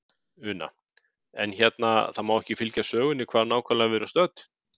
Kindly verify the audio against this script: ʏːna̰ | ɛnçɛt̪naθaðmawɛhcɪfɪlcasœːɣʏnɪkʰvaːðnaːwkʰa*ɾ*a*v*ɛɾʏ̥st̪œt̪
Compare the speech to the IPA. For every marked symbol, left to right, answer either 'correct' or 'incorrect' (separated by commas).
incorrect, correct